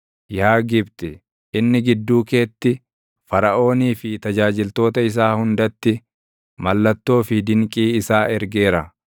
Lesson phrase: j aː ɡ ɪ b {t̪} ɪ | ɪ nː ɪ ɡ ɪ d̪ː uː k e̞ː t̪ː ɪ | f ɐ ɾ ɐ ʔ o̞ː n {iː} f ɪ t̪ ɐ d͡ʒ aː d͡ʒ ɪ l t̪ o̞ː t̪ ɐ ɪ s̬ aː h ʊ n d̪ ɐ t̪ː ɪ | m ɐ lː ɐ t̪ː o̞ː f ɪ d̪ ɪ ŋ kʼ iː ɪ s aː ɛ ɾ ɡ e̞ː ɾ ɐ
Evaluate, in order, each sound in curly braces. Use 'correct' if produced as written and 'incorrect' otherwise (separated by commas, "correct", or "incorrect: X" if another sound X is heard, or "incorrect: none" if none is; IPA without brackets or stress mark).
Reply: correct, correct